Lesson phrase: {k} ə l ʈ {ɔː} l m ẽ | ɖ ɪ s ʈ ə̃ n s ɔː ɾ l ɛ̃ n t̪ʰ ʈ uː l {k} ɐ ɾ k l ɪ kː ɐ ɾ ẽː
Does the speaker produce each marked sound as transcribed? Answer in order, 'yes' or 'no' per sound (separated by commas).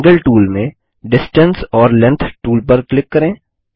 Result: no, no, no